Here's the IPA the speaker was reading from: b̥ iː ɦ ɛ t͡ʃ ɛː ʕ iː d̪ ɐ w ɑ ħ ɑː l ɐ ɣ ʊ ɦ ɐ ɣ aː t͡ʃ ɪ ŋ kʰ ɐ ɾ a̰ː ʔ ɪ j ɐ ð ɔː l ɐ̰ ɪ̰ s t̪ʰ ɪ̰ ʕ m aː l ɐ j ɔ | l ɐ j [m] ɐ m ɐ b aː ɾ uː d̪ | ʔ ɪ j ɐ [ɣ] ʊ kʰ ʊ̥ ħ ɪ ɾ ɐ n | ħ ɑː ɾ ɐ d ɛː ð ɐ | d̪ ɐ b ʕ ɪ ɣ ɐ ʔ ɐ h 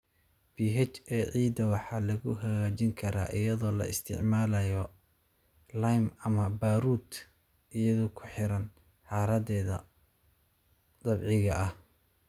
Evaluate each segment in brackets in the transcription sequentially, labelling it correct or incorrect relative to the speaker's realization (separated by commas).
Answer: correct, incorrect